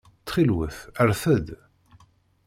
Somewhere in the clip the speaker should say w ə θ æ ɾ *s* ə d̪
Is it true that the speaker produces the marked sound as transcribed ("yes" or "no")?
no